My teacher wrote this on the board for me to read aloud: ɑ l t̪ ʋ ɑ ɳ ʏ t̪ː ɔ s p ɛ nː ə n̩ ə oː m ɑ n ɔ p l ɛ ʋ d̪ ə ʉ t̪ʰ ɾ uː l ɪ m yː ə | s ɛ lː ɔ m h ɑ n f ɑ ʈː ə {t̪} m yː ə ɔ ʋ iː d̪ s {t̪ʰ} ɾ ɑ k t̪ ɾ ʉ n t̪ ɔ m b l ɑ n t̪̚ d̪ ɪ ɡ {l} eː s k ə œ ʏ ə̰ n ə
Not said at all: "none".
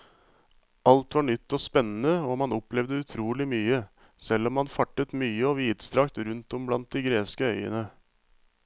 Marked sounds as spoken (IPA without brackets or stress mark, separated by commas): t̪, t̪, ɾ